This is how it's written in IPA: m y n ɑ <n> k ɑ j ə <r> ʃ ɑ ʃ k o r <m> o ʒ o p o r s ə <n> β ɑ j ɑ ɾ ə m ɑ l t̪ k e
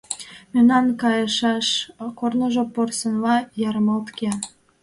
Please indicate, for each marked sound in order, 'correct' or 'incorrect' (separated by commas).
correct, incorrect, incorrect, correct